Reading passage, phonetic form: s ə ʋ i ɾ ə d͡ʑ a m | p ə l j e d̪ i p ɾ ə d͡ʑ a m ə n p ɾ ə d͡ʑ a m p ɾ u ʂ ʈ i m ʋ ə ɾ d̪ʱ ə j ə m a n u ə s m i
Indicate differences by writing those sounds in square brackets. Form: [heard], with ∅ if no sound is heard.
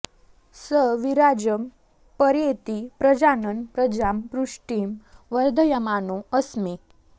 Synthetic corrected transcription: s ə ʋ i ɾ [a] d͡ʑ [ə] m | p ə [ɾ] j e [t̪] i p ɾ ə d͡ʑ a [n] ə n p ɾ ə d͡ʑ a m p ɾ u ʂ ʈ i m ʋ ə ɾ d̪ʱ ə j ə m a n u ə s m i